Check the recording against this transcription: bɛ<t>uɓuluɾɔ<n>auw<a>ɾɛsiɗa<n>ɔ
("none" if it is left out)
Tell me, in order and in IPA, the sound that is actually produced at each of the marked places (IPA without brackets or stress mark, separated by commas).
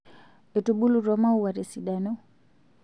t, m, a, n